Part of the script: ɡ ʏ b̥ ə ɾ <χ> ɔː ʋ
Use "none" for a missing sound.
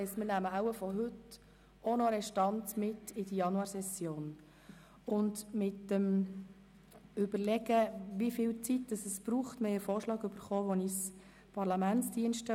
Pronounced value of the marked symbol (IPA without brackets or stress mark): χ